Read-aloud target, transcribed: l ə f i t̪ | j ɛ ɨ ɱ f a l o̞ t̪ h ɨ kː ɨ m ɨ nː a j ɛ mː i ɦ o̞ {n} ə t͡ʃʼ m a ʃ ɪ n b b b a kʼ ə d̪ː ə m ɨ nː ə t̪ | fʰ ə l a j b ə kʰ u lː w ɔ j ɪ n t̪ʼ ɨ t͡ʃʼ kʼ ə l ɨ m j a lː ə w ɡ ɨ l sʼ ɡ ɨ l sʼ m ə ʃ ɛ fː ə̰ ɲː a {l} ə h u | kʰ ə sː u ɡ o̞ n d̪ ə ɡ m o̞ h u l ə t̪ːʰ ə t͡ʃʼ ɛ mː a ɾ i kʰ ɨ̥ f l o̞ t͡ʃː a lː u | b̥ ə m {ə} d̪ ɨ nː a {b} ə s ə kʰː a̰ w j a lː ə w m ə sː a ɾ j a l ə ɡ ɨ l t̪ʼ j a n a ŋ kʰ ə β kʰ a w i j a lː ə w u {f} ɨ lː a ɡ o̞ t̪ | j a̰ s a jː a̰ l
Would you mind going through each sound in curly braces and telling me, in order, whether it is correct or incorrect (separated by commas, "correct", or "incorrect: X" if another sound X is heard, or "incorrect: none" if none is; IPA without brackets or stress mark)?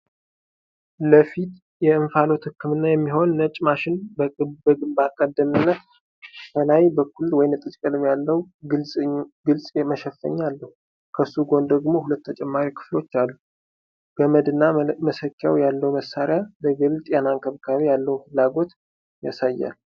incorrect: nː, incorrect: lː, correct, incorrect: m, correct